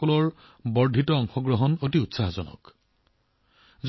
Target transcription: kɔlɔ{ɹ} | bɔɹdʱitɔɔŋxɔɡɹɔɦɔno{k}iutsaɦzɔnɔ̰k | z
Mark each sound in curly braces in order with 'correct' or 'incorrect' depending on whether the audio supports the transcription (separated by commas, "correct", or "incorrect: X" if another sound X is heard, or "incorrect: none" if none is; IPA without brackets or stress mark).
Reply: correct, incorrect: t